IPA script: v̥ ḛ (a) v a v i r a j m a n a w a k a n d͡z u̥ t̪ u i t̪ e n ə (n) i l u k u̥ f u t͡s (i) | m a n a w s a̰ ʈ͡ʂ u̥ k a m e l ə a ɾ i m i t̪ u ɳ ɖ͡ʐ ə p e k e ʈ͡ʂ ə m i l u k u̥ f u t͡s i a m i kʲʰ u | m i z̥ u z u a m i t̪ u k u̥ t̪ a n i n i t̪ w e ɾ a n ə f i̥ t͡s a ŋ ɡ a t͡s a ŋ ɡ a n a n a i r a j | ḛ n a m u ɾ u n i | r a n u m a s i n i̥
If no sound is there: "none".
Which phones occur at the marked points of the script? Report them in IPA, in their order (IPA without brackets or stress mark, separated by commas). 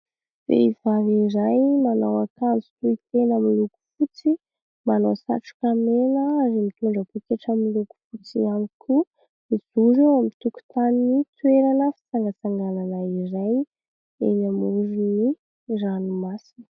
i, m, i